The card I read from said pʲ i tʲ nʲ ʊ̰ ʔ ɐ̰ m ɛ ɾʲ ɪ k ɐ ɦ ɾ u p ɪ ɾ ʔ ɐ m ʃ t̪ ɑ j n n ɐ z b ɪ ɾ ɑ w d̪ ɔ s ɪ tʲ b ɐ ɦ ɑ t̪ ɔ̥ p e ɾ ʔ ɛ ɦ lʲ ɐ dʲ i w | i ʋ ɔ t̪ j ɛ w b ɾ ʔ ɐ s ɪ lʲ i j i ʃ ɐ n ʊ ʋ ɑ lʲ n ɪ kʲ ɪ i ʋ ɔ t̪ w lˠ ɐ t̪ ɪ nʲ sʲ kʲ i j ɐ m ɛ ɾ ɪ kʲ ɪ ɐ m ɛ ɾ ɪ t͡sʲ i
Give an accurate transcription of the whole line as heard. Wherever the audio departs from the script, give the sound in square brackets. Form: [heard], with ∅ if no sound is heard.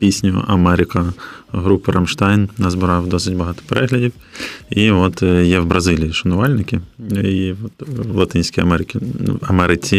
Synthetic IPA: pʲ i [sʲ] nʲ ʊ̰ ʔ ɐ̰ m ɛ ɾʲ ɪ k ɐ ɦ ɾ u p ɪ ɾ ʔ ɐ m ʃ t̪ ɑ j n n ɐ z b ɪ ɾ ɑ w d̪ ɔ s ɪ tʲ b ɐ ɦ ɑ t̪ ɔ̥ p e ɾ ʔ ɛ ɦ lʲ ɐ dʲ i w | i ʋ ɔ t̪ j ɛ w b ɾ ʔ ɐ [z] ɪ lʲ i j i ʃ ɐ n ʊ ʋ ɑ lʲ n ɪ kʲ ɪ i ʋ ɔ t̪ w lˠ ɐ t̪ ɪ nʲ sʲ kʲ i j ɐ m ɛ ɾ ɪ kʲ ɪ ɐ m ɛ ɾ ɪ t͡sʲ i